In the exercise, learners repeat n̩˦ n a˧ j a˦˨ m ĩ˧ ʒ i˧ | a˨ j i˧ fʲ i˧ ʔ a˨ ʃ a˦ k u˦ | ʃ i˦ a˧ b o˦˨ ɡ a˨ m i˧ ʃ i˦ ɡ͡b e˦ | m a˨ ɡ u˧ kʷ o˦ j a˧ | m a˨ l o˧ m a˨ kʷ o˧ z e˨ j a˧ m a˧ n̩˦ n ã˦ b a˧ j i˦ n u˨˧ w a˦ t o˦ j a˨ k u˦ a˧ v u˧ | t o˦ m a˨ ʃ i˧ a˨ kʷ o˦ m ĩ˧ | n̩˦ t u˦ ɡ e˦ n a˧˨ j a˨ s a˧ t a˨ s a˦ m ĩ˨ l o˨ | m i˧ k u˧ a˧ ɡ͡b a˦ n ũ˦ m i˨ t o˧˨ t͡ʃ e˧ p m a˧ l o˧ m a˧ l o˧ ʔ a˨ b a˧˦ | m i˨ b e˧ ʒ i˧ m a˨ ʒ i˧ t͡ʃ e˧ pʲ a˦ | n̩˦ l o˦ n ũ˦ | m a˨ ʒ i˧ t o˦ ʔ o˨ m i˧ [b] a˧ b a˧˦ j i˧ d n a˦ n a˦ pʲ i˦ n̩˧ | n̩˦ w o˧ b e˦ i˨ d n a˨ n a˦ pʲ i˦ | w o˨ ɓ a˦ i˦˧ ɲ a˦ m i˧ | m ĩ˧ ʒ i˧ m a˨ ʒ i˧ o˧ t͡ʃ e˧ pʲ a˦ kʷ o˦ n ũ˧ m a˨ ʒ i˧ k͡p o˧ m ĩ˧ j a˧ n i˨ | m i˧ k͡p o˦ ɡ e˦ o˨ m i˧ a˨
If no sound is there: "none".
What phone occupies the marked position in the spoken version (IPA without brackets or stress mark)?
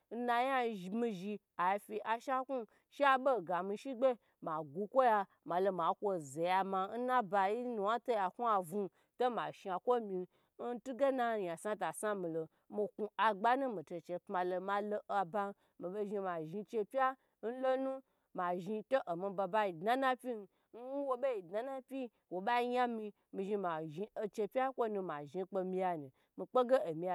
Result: b